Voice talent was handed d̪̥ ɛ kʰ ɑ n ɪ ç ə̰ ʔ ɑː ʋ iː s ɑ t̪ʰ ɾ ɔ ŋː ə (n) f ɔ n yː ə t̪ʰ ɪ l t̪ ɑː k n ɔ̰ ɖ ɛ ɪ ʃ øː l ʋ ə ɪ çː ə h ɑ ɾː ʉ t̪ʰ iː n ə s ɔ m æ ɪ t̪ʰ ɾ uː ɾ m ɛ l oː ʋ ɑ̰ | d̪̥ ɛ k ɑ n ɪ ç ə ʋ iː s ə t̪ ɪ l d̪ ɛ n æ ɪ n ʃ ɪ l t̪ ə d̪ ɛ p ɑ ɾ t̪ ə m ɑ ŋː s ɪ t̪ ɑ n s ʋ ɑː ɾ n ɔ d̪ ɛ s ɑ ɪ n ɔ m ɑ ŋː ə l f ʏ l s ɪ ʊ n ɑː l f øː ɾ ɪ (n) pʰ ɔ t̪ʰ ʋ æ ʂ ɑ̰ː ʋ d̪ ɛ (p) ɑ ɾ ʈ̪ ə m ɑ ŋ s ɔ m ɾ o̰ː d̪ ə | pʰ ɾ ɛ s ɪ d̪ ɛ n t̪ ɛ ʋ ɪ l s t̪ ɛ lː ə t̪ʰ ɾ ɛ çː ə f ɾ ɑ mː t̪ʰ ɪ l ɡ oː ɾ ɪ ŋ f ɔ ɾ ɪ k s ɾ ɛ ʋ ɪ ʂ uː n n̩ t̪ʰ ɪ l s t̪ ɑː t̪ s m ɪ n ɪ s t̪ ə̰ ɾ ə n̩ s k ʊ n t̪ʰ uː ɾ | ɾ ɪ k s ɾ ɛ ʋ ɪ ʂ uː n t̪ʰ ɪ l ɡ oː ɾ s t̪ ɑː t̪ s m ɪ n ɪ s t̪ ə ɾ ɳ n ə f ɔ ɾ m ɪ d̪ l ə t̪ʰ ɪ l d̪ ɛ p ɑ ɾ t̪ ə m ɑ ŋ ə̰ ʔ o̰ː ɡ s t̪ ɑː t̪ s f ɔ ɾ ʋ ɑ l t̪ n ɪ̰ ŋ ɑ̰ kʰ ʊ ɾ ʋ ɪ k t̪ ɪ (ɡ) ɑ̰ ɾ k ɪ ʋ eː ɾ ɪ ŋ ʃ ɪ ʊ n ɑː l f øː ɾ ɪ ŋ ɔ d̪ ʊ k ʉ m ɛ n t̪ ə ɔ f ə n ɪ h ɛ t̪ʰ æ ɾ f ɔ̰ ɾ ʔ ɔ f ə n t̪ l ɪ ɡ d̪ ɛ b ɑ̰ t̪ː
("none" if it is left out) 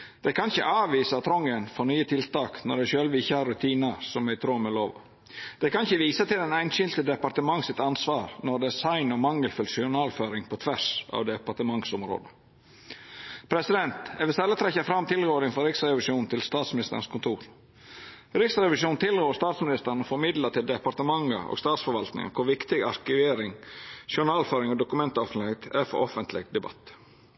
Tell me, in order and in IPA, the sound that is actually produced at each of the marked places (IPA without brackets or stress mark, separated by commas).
n, ŋ, p, ɡ